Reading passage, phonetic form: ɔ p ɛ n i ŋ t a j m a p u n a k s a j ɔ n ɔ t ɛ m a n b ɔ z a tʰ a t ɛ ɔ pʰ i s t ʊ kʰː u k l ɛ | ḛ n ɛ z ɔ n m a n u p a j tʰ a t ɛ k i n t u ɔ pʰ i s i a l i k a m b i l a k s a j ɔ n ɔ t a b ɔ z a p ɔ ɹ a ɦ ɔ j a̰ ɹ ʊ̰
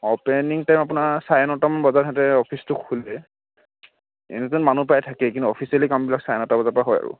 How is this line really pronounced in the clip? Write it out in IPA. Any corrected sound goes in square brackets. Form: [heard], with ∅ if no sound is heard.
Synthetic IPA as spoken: ɔ p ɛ n i ŋ t a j m a p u n a [∅] s a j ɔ n ɔ t [a] m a n b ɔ z a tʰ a t ɛ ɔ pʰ i s t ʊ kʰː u [∅] l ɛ | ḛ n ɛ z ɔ n m a n u p a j tʰ a [k] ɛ k i n t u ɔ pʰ i s i a l i k a m b i l a k s a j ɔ n ɔ t a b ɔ z a p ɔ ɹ a ɦ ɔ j a̰ ɹ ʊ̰